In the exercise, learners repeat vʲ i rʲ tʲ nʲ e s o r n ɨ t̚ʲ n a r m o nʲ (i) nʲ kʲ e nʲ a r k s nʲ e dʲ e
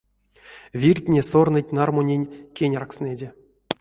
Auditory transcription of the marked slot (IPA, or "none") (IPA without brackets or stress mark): e